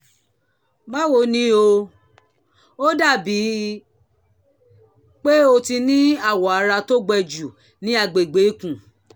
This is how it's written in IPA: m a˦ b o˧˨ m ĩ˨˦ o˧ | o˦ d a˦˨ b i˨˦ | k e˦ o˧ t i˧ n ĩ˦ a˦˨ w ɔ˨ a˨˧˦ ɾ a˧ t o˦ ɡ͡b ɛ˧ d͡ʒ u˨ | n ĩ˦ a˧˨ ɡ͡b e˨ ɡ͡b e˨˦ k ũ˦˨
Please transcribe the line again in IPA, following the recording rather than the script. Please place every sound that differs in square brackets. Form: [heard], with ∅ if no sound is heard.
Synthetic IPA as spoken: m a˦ [w] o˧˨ [n] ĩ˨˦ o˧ | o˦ d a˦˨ b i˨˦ | [k͡p] e˦ o˧ t i˧ n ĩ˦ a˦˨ w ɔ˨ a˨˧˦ ɾ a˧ t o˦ ɡ͡b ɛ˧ d͡ʒ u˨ | n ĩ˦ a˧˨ ɡ͡b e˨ ɡ͡b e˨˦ k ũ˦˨